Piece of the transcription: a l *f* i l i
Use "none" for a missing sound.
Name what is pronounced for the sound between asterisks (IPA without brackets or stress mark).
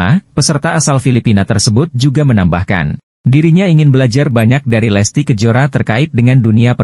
f